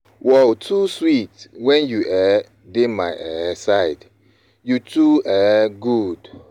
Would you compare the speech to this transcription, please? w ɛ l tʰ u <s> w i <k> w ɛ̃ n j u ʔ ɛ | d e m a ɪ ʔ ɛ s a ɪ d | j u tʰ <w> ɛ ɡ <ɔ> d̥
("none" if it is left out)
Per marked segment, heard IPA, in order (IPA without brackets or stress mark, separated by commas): s, t, u, u